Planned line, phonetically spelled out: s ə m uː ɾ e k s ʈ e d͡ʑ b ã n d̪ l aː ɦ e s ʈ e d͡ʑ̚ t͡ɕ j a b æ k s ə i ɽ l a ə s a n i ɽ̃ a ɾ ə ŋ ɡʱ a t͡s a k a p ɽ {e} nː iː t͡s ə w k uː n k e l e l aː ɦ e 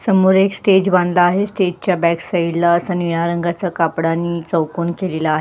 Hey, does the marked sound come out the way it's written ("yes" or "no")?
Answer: no